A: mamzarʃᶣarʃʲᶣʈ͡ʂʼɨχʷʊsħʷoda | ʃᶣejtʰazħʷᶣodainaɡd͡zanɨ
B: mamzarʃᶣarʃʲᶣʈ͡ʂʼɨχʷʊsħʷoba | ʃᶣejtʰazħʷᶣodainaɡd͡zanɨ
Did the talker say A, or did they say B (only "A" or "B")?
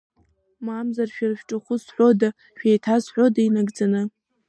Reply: A